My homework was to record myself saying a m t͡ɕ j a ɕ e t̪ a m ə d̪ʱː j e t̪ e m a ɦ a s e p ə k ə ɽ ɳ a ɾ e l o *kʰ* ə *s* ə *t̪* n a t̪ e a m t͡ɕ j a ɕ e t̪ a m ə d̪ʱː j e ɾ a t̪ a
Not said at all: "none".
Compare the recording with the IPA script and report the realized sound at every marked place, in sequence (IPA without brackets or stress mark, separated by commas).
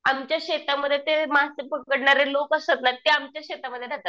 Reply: k, s, t̪